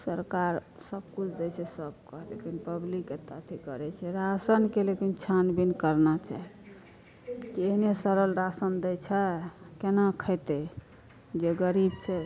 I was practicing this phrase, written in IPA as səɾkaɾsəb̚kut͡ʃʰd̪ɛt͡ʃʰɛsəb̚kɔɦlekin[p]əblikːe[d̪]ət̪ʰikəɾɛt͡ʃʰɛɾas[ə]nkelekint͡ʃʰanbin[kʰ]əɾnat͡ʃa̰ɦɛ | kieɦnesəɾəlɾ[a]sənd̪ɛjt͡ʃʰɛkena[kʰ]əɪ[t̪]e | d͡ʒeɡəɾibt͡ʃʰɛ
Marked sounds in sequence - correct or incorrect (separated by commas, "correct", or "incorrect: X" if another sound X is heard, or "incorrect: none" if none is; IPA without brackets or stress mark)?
correct, incorrect: t̪, correct, incorrect: k, correct, correct, correct